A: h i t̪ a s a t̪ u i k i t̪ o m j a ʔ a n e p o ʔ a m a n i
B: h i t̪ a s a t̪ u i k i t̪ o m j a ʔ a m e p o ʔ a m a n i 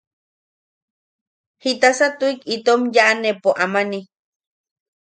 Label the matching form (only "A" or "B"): A